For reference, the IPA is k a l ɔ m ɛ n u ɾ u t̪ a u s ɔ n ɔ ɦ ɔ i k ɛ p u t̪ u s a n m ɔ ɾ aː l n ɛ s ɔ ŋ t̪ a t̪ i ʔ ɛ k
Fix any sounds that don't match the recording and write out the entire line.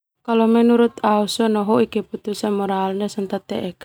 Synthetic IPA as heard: k a l ɔ m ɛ n u ɾ u t̪ a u s ɔ n ɔ ɦ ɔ i k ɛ p u t̪ u s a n m ɔ ɾ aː l n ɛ s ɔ n t̪ a t̪ ɛ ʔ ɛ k